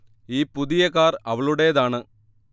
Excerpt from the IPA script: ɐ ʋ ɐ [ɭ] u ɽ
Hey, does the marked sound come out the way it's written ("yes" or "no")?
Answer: yes